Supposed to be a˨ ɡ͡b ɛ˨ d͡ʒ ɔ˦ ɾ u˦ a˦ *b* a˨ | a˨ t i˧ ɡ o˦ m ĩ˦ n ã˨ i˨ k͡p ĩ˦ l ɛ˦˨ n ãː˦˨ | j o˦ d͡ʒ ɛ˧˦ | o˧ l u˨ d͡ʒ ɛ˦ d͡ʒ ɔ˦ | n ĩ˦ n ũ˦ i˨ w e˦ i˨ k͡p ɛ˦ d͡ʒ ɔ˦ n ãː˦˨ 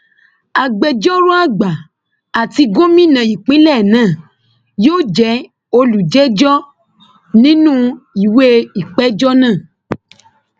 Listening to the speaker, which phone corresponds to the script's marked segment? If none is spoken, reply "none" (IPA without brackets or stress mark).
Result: ɡ͡b